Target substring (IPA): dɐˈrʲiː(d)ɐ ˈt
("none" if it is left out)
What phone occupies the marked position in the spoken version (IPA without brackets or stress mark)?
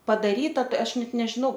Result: t